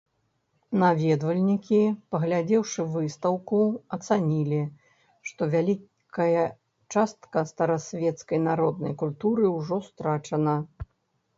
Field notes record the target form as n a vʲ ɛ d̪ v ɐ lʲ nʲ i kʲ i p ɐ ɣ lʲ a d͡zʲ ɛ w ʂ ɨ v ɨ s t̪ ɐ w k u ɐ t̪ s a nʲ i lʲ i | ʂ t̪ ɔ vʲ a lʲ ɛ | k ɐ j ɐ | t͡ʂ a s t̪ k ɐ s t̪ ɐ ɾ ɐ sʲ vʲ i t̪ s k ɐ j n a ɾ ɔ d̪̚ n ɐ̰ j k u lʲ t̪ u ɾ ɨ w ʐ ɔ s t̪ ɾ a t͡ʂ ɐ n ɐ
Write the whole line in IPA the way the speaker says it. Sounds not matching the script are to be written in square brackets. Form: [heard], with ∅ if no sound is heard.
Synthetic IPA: n a vʲ ɛ d̪ v ɐ lʲ nʲ i kʲ i p ɐ ɣ lʲ a d͡zʲ ɛ w ʂ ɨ v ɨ s t̪ ɐ w k u ɐ t̪ s a nʲ i lʲ i | ʂ t̪ ɔ vʲ a lʲ [i] | k ɐ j ɐ | t͡ʂ a s t̪ k ɐ s t̪ ɐ ɾ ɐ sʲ vʲ [ɛ] t̪ s k ɐ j n a ɾ ɔ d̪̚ n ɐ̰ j k u lʲ t̪ u ɾ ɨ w ʐ ɔ s t̪ ɾ a t͡ʂ ɐ n ɐ